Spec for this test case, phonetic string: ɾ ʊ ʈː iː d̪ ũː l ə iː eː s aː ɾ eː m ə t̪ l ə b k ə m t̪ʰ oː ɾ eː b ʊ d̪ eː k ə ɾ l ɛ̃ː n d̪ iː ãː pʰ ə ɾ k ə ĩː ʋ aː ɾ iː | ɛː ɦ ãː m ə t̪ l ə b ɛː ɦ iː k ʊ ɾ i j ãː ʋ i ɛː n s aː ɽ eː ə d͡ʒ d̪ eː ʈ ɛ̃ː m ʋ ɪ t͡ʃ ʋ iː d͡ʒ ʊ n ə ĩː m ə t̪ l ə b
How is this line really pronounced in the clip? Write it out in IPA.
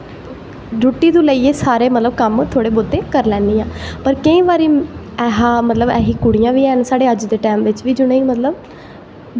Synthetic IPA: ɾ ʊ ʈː iː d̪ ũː l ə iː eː s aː ɾ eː m ə t̪ l ə b k ə m t̪ʰ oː ɽ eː b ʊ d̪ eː k ə ɾ l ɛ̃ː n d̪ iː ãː p ə ɾ k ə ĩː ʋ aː ɾ iː | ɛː ɦ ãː m ə t̪ l ə b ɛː ɦ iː k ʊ ɽ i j ãː ʋ iː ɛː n s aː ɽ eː ə d͡ʒ d̪ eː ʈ ɛː m ʋ ɪ t͡ʃ ʋ iː d͡ʒ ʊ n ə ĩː m ə t̪ l ə b